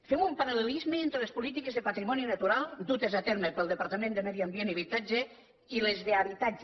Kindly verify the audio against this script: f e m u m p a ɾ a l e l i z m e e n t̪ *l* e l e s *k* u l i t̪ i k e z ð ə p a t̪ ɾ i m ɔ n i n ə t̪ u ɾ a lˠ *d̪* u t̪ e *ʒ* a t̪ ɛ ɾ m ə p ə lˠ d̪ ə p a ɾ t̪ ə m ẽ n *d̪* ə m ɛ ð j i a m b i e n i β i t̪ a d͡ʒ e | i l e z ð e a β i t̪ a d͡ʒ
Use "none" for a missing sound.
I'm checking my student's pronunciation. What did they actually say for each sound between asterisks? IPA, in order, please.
ɾ, p, d̪, z, d̪

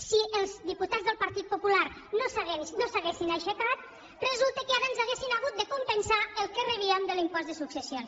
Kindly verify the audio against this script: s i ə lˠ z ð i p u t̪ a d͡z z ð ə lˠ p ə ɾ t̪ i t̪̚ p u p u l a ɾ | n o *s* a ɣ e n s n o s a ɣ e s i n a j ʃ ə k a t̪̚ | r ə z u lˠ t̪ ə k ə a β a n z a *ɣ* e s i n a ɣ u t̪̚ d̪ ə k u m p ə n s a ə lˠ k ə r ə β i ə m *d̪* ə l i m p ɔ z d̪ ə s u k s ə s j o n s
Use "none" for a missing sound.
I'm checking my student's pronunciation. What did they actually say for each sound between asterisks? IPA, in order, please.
s, ɣ, d̪

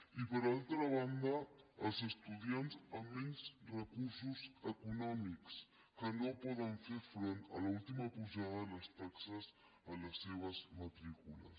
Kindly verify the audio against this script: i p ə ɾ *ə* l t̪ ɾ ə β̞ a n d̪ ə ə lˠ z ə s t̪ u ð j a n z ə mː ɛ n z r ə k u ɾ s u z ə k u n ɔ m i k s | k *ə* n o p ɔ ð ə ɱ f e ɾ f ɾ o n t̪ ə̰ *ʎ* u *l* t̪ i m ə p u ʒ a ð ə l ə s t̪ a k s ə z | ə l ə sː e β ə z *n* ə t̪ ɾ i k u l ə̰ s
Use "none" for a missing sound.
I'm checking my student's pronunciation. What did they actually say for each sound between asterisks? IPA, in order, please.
a, ə, l, l, m

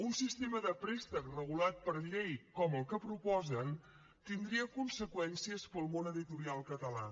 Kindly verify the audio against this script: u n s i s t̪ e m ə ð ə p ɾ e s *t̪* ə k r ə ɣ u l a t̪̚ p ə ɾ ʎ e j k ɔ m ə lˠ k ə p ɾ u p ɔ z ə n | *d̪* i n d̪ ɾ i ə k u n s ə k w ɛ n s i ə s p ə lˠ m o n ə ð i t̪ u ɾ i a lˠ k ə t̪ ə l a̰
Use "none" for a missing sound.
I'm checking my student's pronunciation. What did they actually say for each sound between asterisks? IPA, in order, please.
t̪, t̪

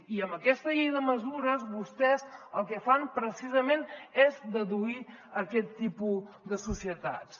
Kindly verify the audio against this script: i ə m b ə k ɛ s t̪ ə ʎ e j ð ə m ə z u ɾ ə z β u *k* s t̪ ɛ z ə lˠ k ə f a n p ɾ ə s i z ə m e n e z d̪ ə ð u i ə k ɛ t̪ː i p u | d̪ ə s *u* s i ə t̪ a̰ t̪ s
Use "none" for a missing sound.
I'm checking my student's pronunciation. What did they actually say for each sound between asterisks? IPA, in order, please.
none, u

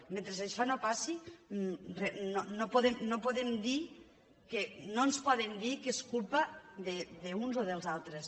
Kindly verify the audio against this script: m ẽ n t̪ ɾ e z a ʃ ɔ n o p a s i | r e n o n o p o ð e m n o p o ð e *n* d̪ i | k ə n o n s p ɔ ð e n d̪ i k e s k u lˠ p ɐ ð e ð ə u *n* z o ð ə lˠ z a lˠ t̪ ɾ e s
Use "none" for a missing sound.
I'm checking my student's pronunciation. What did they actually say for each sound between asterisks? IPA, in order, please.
m, n

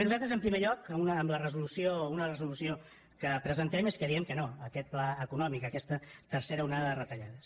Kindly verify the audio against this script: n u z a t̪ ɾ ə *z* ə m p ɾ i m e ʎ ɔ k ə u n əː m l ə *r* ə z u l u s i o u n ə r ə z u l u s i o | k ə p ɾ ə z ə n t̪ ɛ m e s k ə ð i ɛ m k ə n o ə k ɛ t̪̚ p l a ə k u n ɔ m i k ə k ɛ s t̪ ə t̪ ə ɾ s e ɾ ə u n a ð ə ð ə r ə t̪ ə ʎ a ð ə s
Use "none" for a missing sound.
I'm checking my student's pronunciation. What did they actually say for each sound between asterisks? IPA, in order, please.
z, r

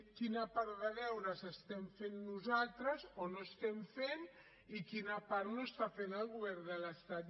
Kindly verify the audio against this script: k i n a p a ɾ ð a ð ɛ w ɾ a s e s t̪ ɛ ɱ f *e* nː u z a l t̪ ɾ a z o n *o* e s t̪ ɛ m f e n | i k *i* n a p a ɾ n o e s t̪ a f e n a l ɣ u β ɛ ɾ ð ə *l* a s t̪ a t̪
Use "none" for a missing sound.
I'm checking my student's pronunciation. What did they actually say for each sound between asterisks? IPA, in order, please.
e, o, i, l

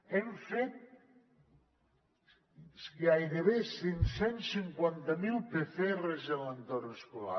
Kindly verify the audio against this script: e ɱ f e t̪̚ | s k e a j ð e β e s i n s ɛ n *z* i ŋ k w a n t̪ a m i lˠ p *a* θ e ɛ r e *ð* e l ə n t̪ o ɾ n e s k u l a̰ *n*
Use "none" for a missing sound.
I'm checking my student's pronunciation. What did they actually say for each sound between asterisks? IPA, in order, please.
s, e, z, none

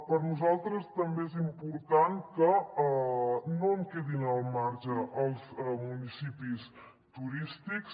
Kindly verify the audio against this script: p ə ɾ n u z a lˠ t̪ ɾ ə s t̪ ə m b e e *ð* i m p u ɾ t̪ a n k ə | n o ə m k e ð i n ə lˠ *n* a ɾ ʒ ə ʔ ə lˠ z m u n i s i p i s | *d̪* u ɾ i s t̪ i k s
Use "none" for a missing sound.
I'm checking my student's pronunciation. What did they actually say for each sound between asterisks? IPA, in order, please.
z, m, t̪

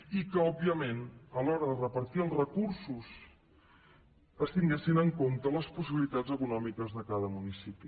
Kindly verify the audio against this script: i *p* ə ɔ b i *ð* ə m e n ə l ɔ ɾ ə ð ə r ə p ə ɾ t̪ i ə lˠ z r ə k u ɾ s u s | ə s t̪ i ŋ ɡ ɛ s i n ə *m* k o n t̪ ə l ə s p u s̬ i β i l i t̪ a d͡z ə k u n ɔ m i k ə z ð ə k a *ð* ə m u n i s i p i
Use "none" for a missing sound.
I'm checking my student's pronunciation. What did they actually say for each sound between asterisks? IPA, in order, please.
k, none, ŋ, ð

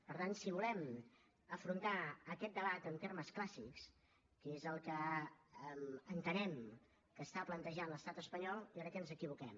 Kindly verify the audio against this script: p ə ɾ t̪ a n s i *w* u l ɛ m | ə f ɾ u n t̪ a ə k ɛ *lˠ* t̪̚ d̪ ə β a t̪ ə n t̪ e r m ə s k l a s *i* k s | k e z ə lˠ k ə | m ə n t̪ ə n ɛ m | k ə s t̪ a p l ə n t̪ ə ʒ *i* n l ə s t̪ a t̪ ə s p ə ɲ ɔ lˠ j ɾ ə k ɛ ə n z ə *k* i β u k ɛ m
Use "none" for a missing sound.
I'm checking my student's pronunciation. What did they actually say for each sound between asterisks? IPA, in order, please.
β, none, i, a, k

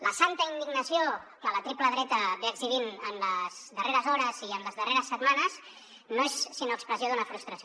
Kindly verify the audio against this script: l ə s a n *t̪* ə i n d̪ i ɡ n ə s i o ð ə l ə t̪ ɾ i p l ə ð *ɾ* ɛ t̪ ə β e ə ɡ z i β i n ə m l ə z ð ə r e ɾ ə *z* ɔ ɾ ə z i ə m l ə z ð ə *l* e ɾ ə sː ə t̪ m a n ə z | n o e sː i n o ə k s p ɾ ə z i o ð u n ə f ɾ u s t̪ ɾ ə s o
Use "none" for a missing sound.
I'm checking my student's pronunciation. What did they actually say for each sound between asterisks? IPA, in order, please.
t̪, ɾ, z, r

